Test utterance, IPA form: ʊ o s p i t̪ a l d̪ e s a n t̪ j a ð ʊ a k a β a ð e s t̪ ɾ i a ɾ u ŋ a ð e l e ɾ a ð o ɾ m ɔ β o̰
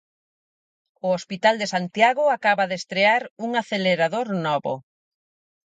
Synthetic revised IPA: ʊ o s p i t̪ a l d̪ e s a n t̪ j a ɣ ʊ a k a β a ð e s t̪ ɾ e a ɾ u ŋ a θ e l e ɾ a ð o ɾ n ɔ β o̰

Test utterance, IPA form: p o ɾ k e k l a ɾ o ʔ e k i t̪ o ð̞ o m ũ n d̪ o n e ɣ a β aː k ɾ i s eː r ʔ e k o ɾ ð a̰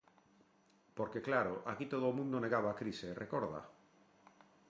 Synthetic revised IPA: p o ɾ k e k l a ɾ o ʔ a k i t̪ o ð̞ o m ũ n d̪ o n e ɣ a β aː k ɾ i s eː r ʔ e k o ɾ ð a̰

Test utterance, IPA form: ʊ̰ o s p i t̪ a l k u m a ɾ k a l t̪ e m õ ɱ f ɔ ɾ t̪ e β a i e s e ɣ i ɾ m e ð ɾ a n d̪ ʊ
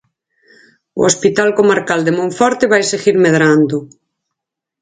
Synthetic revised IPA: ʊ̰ o s p i t̪ a l k o m a ɾ k a l d̪ e m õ ɱ f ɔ ɾ t̪ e β a j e s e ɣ i ɾ m e ð ɾ a n d̪ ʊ

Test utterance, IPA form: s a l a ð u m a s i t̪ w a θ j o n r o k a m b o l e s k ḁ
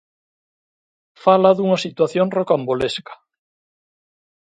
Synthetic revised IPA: f a l a ð u ŋ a s i t̪ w a θ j o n r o k a m b o l e s k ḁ

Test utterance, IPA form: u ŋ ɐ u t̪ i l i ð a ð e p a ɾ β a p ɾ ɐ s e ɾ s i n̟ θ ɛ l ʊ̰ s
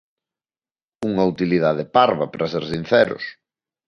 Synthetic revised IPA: u ŋ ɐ u t̪ i l i ð a ð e p a ɾ β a p ɾ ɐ s e ɾ s i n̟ θ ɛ ɾ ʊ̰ s

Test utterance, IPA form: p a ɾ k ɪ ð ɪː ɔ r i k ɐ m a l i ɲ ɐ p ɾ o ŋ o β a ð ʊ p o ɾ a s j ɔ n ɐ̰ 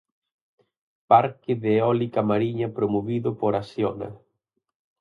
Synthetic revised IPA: p a ɾ k ɪ ð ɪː ɔ l i k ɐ m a ɾ i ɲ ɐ p ɾ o m o β i ð ʊ p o ɾ a s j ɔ n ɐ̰

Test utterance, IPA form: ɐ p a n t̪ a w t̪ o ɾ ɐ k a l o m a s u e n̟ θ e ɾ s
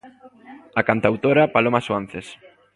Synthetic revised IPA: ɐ k a n t̪ a w t̪ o ɾ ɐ p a l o m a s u a n̟ θ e s

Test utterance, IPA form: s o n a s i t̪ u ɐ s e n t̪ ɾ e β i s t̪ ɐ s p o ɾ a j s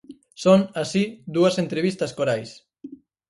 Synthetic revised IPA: s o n a s i d̪ u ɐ s e n t̪ ɾ e β i s t̪ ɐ s k o ɾ a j s

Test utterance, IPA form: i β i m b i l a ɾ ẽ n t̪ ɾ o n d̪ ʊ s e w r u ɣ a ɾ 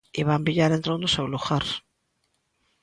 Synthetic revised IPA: i β a m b i ʎ a ɾ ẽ n t̪ ɾ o n d̪ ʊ s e w l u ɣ a ɾ

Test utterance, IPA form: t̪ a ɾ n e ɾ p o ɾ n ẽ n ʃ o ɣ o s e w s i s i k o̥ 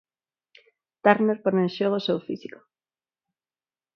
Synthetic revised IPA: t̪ a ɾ n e ɾ p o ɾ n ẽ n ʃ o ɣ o s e w f i s i k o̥

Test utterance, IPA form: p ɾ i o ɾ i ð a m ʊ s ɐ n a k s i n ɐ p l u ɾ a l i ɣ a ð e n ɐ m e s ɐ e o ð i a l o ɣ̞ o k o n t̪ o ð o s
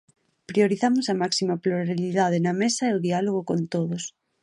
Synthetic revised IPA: p ɾ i o ɾ i θ a m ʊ s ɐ m a k s i m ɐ p l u ɾ a l i ð a ð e n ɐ m e s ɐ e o ð i a l o ɣ̞ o k o n t̪ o ð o s

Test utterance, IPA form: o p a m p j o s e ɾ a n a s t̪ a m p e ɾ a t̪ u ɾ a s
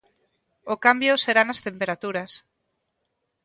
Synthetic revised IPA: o k a m b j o s e ɾ a n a s t̪ e m p e ɾ a t̪ u ɾ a s

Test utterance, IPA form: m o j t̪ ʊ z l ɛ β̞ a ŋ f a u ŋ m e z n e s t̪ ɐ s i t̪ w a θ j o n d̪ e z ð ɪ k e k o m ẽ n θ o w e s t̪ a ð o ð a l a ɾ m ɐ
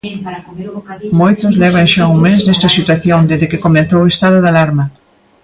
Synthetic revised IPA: m o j t̪ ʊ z l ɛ β̞ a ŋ ʃ a u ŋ m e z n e s t̪ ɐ s i t̪ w a θ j o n d̪ e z ð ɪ k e k o m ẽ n θ o w e s t̪ a ð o ð a l a ɾ m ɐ

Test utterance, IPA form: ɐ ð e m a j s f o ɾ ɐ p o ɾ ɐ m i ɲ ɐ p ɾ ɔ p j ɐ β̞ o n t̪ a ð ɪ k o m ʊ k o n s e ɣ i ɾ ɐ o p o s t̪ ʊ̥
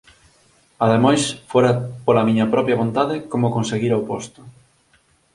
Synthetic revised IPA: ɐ ð e m a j s f o ɾ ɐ p o l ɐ m i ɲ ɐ p ɾ ɔ p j ɐ β̞ o n t̪ a ð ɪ k o m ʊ k o n s e ɣ i ɾ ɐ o p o s t̪ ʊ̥

